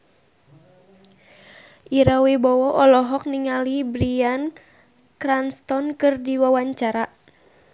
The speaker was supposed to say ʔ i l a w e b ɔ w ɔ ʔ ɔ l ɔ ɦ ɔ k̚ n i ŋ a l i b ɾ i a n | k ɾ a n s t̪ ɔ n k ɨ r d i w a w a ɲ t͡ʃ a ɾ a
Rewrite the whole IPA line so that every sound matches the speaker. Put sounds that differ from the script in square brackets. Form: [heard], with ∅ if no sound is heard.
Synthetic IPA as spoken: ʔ i [ɾ] a w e b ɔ w ɔ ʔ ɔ l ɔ ɦ ɔ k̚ n i ŋ a l i b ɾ i a n | k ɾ a n s t̪ ɔ n k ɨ r d i w a w a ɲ t͡ʃ a ɾ a

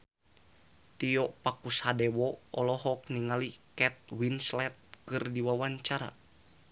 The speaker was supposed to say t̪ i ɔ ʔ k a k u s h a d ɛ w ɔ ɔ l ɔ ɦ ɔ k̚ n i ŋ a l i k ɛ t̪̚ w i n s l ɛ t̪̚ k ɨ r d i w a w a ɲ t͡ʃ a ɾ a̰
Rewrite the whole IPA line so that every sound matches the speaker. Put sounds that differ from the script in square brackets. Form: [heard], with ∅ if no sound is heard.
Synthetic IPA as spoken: t̪ i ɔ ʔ [p] a k u s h a d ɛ w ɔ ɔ l ɔ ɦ ɔ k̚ n i ŋ a l i k ɛ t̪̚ w i n s l ɛ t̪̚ k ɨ r d i w a w a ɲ t͡ʃ a ɾ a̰

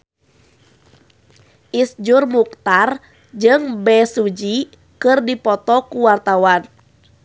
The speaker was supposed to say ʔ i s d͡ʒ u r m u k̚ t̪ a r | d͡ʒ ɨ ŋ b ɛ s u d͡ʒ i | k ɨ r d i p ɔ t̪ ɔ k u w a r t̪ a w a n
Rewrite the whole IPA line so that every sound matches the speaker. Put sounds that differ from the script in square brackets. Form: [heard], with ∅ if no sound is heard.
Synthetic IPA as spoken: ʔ i s d͡ʒ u r m u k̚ t̪ a r | d͡ʒ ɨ ŋ b ɛ s u d͡ʒ i | k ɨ r d i p ɔ t̪ ɔ k u w a r t̪ a w a n

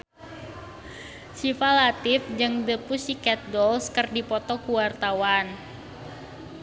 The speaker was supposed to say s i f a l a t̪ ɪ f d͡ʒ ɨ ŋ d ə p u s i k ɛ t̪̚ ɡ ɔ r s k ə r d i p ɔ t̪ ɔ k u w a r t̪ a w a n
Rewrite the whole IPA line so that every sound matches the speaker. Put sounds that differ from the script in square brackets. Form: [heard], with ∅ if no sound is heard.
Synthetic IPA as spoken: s i f a l a t̪ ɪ f d͡ʒ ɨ ŋ d ə p u s i k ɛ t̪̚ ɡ ɔ [l] s k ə r d i p ɔ t̪ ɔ k u w a r t̪ a w a n

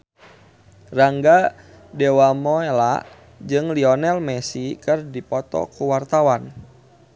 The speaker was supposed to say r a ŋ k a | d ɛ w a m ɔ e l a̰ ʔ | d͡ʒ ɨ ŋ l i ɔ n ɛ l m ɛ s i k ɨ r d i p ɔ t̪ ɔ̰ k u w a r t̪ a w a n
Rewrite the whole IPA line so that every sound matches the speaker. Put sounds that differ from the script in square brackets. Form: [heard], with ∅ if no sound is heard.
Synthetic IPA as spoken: r a ŋ [ɡ] a | d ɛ w a m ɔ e l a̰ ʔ | d͡ʒ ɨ ŋ l i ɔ n ɛ l m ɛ s i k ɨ r d i p ɔ t̪ ɔ̰ k u w a r t̪ a w a n

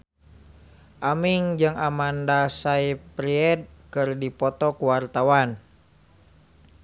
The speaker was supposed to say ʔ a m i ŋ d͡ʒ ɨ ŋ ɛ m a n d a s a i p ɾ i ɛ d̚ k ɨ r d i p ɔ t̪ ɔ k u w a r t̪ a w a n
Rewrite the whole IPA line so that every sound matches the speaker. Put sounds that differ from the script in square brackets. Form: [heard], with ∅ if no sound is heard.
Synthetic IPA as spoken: ʔ a m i ŋ d͡ʒ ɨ ŋ [a] m a n d a s a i p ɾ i ɛ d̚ k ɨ r d i p ɔ t̪ ɔ k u w a r t̪ a w a n

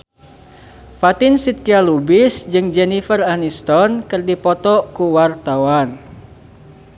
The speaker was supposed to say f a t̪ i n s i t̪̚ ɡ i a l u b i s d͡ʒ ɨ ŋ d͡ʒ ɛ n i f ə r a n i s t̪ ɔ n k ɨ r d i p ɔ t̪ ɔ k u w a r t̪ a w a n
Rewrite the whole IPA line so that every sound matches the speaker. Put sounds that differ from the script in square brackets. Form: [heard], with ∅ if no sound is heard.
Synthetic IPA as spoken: f a t̪ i n s i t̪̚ [k] i a l u b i s d͡ʒ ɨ ŋ d͡ʒ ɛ n i f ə r a n i s t̪ ɔ n k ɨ r d i p ɔ t̪ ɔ k u w a r t̪ a w a n

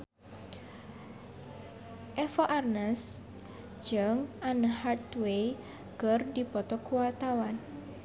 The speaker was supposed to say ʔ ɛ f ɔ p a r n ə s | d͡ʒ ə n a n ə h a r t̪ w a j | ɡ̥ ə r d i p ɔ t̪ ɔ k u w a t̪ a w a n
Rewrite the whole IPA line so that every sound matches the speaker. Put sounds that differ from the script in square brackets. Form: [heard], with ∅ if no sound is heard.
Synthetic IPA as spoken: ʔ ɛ f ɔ [ʔ] a r n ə s | d͡ʒ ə [ŋ] a n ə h a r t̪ w [e] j | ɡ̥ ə r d i p ɔ t̪ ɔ k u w a t̪ a w a n

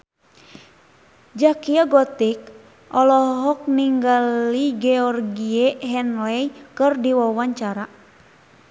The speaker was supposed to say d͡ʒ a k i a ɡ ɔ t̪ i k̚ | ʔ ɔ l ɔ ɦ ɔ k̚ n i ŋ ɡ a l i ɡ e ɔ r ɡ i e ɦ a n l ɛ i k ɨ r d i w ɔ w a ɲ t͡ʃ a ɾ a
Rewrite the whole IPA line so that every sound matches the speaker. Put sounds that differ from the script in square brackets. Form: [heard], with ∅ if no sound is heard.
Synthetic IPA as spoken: d͡ʒ a k i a ɡ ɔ t̪ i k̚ | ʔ ɔ l ɔ ɦ ɔ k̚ n i ŋ ɡ a l i ɡ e ɔ r ɡ i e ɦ [ɛ] n l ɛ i k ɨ r d i w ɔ w a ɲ t͡ʃ a ɾ a

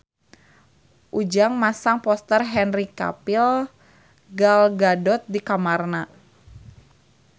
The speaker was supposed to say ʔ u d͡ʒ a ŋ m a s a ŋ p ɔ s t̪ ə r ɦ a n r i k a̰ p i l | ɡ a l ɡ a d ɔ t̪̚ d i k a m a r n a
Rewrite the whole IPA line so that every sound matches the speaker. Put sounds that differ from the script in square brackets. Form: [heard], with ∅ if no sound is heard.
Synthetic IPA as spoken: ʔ u d͡ʒ a ŋ m a s a ŋ p ɔ s t̪ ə r ɦ [ɛ] n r i k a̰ p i l | ɡ a l ɡ a d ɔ t̪̚ d i k a m a r n a

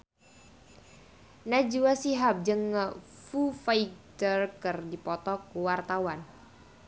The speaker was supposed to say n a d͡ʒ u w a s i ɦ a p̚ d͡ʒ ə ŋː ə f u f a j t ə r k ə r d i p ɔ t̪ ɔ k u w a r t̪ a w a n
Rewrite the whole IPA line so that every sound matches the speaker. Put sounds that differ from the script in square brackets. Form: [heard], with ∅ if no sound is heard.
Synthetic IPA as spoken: n a d͡ʒ u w a s i ɦ a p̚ d͡ʒ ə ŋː ə f u f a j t ə r k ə r d i p ɔ t̪ ɔ k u w a r t̪ a w a n

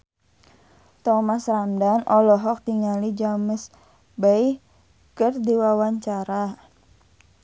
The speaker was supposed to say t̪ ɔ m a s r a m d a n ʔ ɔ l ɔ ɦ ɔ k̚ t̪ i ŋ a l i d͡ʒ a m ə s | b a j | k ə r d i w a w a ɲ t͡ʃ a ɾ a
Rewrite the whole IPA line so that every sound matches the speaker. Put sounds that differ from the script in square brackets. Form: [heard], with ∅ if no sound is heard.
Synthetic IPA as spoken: t̪ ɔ m a s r a m d a n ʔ ɔ l ɔ ɦ ɔ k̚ t̪ i ŋ a l i d͡ʒ a m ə s | b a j | k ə r d i w a w a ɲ t͡ʃ a ɾ a

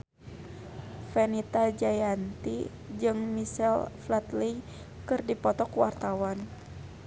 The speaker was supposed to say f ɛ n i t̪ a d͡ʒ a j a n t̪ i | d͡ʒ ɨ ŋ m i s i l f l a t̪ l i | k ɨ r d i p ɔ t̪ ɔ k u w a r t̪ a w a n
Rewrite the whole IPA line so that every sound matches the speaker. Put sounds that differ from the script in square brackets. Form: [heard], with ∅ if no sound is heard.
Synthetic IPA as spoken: f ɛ n i t̪ a d͡ʒ a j a n t̪ i | d͡ʒ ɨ ŋ m i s [ɛ] l f l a t̪ l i | k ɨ r d i p ɔ t̪ ɔ k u w a r t̪ a w a n

